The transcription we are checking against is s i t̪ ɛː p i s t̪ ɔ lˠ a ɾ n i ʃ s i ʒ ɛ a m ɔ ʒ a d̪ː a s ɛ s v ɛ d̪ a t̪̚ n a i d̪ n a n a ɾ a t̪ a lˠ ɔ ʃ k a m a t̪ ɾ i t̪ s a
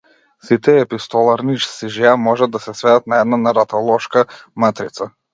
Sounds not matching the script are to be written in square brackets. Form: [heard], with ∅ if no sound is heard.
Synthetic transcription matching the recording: s i t̪ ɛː p i s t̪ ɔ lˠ a ɾ n i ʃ s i ʒ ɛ a m ɔ ʒ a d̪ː a s ɛ s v ɛ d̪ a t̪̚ n a [ɛ] d̪ n a n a ɾ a t̪ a lˠ ɔ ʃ k a m a t̪ ɾ i t̪ s a